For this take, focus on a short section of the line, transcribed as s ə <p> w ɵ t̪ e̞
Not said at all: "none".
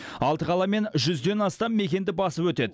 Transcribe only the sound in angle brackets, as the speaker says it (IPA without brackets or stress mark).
p